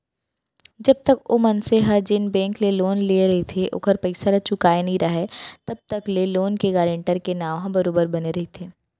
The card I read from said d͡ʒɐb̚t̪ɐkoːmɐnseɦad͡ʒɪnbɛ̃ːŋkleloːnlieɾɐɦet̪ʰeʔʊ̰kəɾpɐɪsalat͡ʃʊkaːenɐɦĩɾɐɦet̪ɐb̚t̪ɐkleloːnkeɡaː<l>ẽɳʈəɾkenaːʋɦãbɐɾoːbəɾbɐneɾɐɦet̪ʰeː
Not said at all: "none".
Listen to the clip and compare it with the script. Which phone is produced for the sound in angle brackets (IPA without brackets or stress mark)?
ɾ